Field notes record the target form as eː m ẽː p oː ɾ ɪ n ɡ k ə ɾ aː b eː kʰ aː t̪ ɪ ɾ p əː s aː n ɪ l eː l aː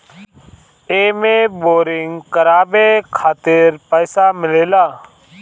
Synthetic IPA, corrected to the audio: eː m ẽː b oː ɾ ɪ ŋ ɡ k ə ɾ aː b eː kʰ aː t̪ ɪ ɾ p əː s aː m ɪ l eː l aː